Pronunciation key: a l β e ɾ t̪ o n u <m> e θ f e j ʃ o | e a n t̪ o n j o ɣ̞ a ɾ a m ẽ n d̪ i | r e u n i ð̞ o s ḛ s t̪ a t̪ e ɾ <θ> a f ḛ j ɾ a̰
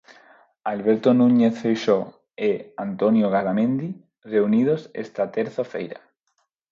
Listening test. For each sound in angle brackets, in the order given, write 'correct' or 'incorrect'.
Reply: incorrect: ɲ, correct

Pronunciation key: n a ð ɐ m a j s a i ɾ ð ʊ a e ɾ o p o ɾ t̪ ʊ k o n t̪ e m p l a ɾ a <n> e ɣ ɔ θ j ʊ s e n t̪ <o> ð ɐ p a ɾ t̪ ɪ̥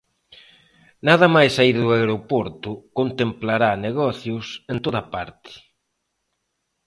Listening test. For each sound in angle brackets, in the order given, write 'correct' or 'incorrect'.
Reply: correct, correct

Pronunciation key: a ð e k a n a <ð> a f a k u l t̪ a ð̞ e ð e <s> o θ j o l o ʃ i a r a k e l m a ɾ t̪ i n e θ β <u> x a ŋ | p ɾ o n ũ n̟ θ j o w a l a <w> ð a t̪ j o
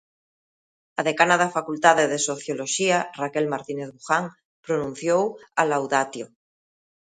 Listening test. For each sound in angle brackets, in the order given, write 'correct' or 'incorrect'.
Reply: correct, correct, correct, correct

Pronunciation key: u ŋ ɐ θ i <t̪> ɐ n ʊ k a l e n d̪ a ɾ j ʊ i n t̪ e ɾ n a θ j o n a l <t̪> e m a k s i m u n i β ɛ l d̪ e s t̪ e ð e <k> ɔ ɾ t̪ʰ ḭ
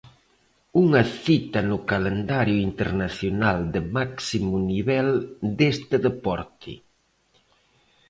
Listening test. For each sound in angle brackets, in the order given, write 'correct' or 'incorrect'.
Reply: correct, incorrect: d̪, incorrect: p

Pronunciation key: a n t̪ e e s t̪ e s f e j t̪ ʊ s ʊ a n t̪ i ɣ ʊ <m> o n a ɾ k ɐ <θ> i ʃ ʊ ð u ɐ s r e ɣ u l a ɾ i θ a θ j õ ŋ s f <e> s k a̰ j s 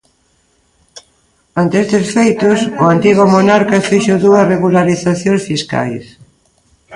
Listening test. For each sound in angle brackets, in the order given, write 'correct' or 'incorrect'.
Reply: correct, incorrect: f, incorrect: i

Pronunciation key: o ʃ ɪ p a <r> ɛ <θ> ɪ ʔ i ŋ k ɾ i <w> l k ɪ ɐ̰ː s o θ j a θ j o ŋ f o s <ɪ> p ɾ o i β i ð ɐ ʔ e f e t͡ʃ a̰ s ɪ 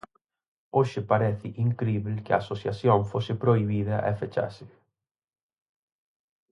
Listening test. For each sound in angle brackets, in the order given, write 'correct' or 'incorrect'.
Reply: incorrect: ɾ, correct, incorrect: β, correct

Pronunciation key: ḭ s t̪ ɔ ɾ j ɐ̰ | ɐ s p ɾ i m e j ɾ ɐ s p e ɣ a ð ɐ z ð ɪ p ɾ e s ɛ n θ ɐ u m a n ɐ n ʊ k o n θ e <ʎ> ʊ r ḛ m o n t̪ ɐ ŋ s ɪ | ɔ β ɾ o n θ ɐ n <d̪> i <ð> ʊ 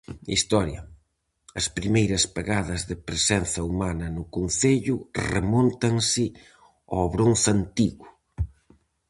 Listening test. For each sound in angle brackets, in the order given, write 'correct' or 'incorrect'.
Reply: correct, incorrect: t̪, incorrect: ɣ

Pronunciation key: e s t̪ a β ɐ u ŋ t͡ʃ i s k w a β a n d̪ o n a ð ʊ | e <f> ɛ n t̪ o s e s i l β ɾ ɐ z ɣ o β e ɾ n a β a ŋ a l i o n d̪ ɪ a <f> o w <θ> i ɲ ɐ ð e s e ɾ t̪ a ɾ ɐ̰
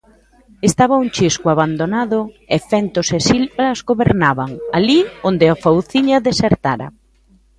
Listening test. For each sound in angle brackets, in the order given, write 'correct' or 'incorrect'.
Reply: correct, correct, correct

